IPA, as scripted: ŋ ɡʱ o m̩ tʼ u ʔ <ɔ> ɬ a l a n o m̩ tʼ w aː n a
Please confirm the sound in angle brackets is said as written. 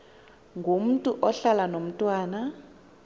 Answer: yes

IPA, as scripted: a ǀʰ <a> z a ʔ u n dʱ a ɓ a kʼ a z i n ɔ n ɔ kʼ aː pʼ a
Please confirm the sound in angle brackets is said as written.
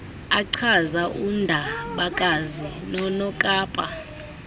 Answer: yes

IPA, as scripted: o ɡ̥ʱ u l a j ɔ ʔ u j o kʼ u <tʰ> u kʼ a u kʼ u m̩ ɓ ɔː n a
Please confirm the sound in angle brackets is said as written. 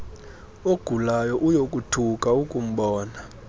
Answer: yes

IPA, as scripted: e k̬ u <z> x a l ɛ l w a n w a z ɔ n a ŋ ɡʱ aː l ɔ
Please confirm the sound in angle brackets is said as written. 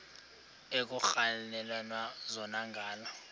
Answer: no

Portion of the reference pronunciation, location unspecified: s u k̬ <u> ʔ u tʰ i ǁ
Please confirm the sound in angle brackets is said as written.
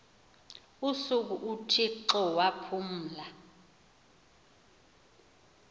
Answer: yes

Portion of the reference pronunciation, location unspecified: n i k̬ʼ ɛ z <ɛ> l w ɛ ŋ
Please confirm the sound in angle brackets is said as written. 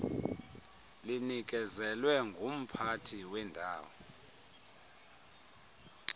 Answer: yes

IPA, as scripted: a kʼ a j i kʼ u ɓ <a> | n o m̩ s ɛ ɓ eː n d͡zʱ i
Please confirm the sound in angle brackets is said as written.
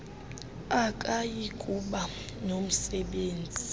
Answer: yes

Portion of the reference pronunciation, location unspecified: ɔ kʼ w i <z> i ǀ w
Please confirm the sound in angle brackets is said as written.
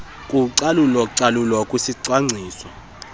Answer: no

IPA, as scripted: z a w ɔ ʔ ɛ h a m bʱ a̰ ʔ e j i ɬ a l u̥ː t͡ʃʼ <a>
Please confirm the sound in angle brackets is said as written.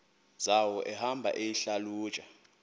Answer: yes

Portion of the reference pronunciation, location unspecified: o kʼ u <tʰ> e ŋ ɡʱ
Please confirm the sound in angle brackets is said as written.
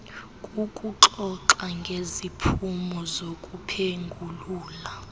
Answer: no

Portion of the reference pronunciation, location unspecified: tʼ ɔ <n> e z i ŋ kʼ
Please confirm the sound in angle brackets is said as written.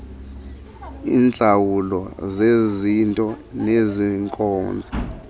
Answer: yes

